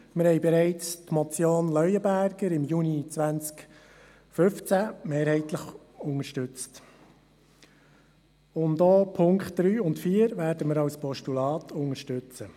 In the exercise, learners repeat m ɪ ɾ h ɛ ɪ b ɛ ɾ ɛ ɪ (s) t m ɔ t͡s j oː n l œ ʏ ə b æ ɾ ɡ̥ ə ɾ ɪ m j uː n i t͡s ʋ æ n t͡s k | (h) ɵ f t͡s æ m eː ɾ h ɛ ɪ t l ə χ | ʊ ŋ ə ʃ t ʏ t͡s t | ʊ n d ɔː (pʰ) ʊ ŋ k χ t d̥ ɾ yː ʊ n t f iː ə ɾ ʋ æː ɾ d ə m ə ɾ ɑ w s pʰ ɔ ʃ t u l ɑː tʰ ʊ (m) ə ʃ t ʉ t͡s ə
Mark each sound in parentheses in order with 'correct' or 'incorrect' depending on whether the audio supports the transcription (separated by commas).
incorrect, incorrect, correct, incorrect